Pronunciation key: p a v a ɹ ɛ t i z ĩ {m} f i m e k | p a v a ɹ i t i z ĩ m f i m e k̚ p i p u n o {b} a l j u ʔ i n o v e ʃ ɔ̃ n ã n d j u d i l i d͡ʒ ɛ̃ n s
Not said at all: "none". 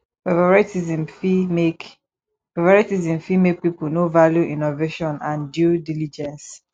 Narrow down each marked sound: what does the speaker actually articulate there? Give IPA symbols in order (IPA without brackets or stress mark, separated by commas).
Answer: m, v